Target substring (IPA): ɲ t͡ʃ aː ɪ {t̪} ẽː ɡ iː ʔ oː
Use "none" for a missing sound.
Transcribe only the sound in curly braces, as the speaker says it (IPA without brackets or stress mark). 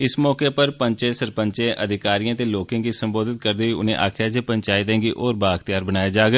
t̪